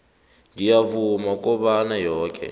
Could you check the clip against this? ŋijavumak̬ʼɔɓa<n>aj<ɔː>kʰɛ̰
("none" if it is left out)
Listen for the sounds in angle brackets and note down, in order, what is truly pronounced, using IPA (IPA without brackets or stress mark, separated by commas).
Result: n, ɔː